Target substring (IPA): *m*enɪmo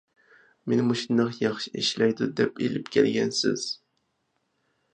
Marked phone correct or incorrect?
correct